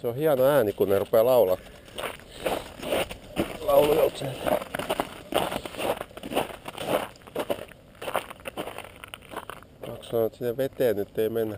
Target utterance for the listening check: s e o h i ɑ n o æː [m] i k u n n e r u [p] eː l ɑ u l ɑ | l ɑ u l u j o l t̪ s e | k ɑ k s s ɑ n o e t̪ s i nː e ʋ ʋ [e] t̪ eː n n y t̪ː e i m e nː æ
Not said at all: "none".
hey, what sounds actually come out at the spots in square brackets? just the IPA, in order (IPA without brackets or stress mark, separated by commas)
n, p, e